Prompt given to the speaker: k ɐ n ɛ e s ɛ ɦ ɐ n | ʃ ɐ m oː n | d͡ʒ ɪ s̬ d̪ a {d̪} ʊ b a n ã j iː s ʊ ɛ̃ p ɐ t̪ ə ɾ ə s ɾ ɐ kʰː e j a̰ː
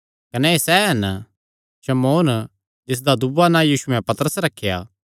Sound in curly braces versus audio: correct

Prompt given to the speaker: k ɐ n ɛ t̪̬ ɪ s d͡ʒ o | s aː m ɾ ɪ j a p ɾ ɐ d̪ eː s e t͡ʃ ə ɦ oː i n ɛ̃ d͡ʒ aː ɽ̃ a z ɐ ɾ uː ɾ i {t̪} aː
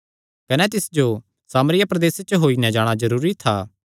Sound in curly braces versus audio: incorrect: t̪ʰ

